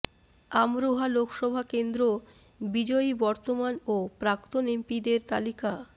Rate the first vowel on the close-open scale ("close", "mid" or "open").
open